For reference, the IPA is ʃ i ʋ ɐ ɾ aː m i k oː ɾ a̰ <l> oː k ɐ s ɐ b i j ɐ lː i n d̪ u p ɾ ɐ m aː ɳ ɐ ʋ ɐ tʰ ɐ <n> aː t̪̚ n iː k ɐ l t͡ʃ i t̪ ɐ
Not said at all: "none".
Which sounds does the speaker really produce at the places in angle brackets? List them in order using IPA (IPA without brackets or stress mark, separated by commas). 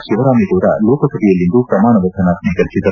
l, n